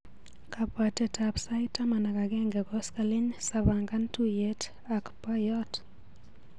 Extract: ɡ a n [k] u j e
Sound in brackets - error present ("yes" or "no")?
yes